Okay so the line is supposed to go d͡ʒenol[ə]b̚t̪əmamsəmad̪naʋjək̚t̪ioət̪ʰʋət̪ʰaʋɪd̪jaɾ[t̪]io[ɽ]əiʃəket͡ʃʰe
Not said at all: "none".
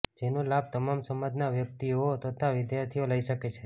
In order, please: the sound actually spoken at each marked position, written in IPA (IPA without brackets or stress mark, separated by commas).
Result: a, t̪ʰ, l